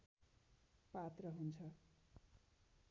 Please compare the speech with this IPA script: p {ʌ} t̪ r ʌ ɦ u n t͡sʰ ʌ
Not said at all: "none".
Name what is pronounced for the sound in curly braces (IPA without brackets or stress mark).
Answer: a